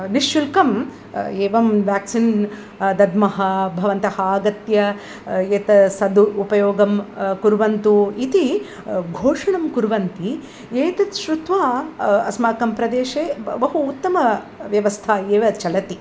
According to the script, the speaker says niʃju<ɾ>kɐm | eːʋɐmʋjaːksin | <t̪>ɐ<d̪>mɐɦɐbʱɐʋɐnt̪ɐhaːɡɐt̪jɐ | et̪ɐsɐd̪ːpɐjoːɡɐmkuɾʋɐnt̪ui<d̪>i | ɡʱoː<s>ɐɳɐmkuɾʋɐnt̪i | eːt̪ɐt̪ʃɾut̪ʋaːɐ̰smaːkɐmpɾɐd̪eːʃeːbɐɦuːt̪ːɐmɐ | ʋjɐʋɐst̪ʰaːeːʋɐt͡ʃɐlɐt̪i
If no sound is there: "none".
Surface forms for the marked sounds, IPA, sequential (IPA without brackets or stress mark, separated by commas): l, d̪, d̪, t̪, ʂ